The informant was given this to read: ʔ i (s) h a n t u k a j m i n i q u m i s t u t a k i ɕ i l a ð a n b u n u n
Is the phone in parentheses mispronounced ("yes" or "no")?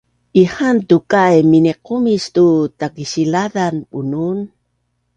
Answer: yes